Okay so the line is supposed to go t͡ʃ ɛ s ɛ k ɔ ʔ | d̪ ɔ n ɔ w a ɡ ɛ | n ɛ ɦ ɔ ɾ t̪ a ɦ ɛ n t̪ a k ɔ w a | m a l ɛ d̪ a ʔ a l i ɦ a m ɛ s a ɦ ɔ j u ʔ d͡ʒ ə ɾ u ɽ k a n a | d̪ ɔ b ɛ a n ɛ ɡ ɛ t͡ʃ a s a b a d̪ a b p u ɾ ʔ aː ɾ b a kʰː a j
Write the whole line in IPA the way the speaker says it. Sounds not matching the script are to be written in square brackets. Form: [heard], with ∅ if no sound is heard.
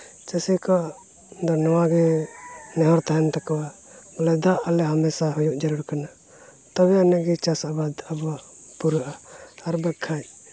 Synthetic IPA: t͡ʃ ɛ s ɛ k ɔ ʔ | d̪ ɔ n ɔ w a ɡ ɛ | n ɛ ɦ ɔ ɾ t̪ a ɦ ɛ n t̪ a k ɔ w a | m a l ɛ d̪ a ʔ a l [ɛ] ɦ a m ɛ s a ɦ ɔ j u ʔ d͡ʒ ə ɾ u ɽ k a n a | [t̪] ɔ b ɛ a n ɛ ɡ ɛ t͡ʃ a s a b a d̪ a b p u ɾ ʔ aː ɾ b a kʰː a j